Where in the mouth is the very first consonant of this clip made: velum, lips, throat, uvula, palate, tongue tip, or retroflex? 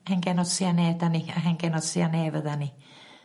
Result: throat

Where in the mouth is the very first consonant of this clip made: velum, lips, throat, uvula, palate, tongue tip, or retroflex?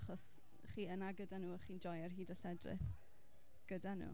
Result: uvula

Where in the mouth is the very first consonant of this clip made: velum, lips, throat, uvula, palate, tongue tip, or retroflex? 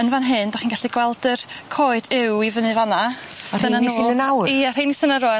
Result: tongue tip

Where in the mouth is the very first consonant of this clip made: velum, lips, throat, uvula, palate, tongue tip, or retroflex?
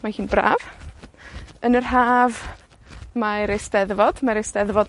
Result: lips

